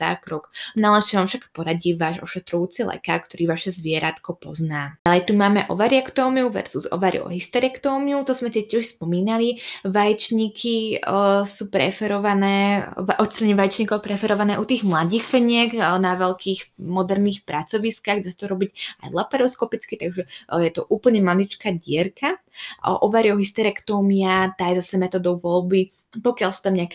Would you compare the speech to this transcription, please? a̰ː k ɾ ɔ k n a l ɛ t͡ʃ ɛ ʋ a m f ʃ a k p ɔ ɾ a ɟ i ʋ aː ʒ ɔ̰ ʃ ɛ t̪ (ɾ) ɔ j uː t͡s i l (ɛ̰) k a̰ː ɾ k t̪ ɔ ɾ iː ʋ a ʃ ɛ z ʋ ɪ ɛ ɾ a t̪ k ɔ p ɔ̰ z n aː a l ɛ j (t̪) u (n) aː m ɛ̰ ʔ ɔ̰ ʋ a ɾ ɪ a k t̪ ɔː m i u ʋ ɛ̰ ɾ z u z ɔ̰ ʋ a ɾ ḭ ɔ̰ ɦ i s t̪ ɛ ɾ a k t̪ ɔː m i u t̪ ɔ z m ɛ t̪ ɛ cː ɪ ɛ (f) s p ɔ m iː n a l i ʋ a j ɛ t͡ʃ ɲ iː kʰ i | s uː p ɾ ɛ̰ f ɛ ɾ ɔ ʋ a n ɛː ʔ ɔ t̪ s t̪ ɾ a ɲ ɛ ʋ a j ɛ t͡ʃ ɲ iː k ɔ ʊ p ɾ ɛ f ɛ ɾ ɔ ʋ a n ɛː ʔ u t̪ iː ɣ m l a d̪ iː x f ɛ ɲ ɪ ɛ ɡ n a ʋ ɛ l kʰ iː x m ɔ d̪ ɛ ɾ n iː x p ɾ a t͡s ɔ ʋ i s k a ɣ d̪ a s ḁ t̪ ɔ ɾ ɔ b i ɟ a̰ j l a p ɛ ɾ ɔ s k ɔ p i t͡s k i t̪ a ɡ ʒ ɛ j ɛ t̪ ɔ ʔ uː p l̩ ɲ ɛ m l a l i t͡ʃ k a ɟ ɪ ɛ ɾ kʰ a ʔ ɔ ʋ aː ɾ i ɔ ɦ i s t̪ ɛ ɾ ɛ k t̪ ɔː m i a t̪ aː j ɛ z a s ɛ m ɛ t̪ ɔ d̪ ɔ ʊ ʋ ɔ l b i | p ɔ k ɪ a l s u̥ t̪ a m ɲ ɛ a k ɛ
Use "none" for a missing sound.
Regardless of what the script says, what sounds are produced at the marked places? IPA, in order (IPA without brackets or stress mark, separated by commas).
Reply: ɾ, ɛ̰, t̪, m, ʃ